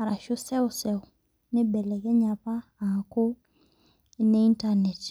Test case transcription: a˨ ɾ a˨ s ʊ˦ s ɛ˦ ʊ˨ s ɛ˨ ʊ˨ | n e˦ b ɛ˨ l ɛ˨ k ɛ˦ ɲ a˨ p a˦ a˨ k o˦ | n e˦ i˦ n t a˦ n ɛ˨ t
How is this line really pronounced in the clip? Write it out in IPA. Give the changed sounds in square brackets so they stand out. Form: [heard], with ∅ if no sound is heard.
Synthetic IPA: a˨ ɾ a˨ [ʃ] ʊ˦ s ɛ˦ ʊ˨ s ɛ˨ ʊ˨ | n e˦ b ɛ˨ l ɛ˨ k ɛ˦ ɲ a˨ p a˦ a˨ k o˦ | n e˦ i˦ n t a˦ n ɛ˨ t